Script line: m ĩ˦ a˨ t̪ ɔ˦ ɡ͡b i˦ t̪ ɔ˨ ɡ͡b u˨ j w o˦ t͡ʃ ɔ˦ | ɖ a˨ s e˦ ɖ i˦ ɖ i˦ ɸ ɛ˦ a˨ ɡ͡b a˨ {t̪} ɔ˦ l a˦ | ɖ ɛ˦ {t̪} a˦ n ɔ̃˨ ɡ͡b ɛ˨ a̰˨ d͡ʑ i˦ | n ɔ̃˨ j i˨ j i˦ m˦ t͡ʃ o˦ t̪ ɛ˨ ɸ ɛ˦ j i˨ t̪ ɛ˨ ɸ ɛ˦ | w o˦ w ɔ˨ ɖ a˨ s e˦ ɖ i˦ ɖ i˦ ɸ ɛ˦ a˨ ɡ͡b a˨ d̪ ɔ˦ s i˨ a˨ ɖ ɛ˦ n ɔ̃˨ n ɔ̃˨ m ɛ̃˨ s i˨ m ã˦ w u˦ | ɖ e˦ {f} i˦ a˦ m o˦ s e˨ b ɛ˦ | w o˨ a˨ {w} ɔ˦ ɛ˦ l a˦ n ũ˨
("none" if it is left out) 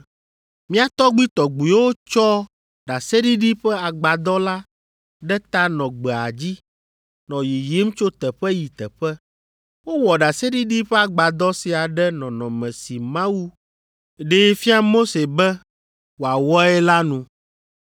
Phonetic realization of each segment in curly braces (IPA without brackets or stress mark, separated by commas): d̪, t̪, f, w